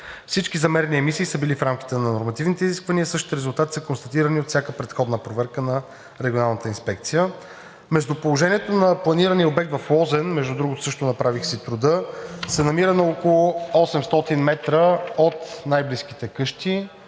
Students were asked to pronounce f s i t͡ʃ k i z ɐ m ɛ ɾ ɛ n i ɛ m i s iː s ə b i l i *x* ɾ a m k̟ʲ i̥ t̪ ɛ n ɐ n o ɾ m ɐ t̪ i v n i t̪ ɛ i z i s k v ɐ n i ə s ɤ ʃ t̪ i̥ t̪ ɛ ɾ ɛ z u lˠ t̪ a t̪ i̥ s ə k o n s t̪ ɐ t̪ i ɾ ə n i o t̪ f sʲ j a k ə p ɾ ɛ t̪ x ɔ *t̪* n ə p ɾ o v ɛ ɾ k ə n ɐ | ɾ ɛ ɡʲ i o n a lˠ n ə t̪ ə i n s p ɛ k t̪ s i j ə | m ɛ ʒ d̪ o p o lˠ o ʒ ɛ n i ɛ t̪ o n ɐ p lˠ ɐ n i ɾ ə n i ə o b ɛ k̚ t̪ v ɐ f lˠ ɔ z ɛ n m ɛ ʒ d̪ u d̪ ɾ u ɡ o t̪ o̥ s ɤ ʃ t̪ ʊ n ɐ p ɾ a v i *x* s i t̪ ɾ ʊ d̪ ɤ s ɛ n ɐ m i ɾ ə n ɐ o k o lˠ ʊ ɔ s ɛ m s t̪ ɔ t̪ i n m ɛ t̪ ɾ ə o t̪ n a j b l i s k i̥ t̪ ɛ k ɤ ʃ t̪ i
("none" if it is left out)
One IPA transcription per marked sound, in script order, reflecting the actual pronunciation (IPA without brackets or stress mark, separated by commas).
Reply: f, d̪, x